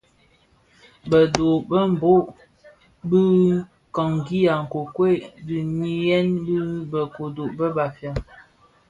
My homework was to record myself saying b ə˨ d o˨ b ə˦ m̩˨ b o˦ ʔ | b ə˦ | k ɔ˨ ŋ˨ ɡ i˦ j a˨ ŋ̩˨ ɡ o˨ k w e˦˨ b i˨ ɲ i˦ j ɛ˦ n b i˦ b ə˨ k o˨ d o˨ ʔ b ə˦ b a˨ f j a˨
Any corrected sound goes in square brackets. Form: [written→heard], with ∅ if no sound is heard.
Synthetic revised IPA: b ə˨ d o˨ b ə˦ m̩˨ b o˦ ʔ | b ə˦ | k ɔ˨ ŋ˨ ɡ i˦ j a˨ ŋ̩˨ [ɡ→k] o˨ k w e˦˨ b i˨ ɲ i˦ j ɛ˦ n b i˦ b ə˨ k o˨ d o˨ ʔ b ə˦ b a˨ f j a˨